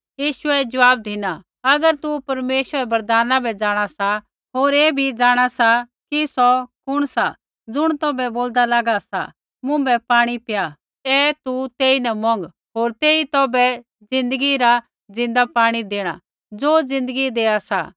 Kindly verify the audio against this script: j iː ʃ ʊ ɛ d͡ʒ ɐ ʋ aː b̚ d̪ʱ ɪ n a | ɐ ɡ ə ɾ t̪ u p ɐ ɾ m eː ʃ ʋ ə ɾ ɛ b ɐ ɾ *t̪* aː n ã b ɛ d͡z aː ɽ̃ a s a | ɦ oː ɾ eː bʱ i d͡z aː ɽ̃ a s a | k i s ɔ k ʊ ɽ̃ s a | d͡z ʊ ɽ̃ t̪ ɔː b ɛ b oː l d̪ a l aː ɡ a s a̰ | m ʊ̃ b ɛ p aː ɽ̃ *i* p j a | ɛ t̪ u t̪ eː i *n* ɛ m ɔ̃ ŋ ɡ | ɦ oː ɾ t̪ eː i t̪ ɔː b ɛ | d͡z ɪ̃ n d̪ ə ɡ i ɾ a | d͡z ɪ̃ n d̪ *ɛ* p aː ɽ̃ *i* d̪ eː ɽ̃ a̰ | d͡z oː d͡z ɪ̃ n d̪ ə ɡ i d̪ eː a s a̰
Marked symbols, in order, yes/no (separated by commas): no, yes, yes, no, yes